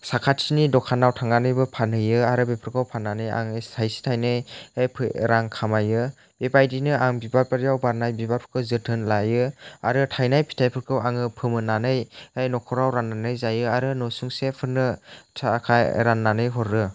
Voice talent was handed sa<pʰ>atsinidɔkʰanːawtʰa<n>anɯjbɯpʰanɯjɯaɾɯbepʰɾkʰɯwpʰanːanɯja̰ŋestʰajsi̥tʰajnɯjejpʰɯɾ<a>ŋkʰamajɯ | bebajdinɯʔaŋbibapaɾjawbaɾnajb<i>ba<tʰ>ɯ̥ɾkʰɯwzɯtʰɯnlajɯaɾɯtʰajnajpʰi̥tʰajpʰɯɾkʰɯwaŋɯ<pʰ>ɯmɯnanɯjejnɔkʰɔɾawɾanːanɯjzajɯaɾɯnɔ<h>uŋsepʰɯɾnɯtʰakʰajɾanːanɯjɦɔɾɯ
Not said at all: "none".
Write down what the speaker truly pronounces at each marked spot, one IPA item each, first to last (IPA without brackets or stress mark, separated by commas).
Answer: kʰ, ŋ, a, i, pʰ, pʰ, s